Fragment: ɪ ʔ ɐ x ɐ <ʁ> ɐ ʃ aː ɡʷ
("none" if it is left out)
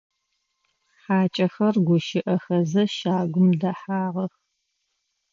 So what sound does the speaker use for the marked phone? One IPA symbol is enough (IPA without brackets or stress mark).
z